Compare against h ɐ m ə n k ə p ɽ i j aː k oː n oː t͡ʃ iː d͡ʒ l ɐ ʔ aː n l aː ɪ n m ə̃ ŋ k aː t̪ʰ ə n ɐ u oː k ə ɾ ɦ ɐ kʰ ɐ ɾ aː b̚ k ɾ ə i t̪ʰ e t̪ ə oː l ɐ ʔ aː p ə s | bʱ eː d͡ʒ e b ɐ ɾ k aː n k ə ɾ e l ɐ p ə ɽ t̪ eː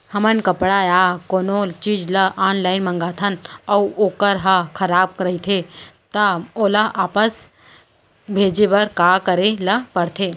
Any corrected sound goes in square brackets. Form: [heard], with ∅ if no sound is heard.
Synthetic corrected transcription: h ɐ m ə n k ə p ɽ [a] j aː k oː n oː t͡ʃ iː d͡ʒ l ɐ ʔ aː n l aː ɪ n m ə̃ ŋ [ɡ] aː t̪ʰ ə n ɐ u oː k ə ɾ ɦ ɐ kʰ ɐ ɾ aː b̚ k ɾ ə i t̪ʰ e t̪ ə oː l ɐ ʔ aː p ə s | bʱ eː d͡ʒ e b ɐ ɾ k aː [∅] k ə ɾ e l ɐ p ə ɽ [t̪ʰ] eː